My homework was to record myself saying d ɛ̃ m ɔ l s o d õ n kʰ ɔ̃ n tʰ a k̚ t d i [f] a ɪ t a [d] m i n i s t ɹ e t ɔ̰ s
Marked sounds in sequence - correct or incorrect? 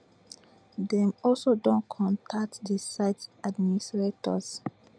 incorrect: s, correct

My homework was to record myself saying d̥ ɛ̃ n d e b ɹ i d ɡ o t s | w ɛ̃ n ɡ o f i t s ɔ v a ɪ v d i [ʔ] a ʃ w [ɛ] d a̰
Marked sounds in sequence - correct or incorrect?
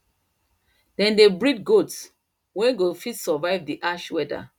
correct, correct

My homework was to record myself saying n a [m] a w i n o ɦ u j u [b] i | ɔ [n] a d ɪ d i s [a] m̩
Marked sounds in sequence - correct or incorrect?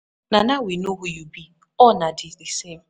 incorrect: n, correct, correct, incorrect: e

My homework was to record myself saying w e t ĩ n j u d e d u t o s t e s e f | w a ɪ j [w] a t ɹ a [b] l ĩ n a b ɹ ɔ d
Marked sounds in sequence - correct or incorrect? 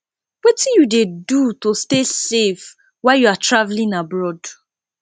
incorrect: u, incorrect: v

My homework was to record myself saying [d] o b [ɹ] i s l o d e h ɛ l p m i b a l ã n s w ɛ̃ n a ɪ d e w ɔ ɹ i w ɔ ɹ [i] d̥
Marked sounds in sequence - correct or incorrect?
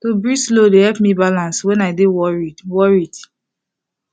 incorrect: t, correct, correct

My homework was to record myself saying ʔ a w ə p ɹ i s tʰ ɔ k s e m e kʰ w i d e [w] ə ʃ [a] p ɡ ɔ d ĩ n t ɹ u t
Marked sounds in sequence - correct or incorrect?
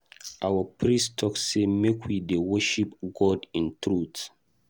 correct, incorrect: i

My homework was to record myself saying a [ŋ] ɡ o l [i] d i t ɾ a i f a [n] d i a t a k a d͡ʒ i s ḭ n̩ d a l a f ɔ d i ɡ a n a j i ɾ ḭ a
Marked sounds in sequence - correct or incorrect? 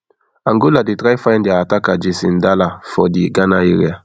correct, incorrect: a, correct

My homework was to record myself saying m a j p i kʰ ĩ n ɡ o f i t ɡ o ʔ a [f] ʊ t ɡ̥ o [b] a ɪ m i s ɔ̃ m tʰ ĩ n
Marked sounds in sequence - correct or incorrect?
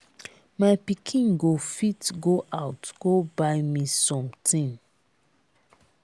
incorrect: none, correct

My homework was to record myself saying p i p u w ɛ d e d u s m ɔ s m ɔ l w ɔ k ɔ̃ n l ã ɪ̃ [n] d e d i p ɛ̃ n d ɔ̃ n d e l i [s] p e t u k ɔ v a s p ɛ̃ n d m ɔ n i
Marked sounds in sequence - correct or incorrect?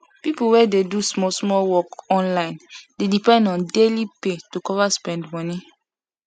correct, incorrect: none

